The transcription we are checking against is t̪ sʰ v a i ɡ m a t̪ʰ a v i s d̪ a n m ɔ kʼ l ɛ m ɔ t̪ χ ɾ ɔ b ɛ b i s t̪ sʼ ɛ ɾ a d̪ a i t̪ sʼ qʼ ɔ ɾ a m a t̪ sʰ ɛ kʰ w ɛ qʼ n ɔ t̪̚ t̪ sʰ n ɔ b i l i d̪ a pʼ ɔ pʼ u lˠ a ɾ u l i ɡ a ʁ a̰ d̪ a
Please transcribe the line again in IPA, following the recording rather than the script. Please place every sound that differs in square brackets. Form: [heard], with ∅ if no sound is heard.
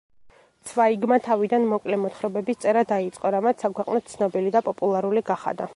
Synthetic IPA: t̪ sʰ v a i ɡ m a t̪ʰ a v i [∅] d̪ a n m ɔ kʼ l ɛ m ɔ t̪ χ ɾ ɔ b ɛ b i s t̪ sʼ ɛ ɾ a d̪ a i t̪ sʼ qʼ ɔ ɾ a m a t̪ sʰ [a] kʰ w ɛ qʼ n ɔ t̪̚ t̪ sʰ n ɔ b i l i d̪ a pʼ ɔ pʼ u lˠ a ɾ u l i ɡ a [χ] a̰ d̪ a